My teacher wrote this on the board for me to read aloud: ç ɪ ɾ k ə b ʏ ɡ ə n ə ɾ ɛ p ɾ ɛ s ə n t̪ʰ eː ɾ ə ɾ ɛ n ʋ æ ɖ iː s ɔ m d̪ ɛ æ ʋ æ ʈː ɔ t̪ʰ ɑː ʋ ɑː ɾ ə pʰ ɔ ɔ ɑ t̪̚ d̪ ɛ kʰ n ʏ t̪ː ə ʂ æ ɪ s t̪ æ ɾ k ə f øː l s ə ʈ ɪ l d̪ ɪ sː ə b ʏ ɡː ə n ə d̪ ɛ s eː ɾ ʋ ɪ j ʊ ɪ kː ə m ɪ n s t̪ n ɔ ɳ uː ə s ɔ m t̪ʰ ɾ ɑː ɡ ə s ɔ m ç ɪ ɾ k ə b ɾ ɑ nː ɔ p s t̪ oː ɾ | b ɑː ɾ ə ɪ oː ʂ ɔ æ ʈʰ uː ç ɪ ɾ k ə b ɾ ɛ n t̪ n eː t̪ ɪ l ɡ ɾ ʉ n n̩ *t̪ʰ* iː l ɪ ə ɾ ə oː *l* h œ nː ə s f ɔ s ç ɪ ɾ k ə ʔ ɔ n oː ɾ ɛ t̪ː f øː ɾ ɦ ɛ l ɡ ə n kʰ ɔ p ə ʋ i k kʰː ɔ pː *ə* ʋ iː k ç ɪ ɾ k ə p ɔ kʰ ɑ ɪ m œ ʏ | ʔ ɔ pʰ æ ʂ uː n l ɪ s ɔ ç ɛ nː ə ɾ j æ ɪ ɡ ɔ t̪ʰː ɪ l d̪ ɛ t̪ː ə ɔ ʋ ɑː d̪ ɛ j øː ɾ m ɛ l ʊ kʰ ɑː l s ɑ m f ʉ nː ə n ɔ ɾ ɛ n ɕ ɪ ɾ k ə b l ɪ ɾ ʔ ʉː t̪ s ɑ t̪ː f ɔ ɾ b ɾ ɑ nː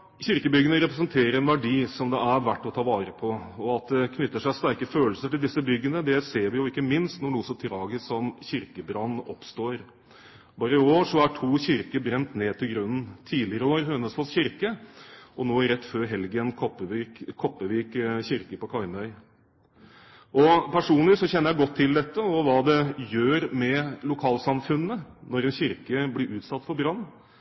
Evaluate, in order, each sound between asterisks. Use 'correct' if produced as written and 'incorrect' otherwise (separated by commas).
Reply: correct, incorrect, correct